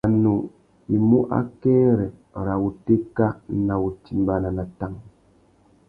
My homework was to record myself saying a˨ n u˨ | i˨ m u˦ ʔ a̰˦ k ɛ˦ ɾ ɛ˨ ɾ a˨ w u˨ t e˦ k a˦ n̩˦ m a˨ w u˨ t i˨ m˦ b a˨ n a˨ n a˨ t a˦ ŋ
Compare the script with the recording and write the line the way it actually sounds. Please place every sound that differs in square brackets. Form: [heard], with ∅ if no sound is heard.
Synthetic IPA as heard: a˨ n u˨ | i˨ m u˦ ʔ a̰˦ k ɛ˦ ɾ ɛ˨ ɾ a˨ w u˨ t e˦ k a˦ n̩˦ [n] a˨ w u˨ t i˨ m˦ b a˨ n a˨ n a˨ t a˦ ŋ